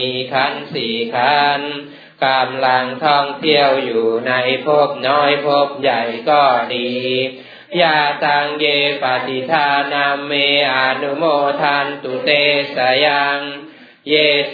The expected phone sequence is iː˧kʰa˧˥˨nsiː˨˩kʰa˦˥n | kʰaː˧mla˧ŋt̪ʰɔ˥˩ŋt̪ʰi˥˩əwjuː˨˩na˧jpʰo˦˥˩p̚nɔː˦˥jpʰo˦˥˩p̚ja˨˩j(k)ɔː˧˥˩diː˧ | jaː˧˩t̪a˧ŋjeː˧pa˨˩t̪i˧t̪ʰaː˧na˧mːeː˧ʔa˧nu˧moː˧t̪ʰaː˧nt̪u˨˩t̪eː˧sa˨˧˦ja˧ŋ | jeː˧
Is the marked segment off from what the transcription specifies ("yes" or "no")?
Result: no